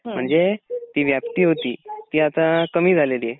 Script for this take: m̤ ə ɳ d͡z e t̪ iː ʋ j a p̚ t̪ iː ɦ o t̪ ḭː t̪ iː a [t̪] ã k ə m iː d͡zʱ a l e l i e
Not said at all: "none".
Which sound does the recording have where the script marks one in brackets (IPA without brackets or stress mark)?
t̪